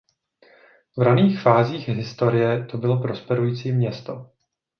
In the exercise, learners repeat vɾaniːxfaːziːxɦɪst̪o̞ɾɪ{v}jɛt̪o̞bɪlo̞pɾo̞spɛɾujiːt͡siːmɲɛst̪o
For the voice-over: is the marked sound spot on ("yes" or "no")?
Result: no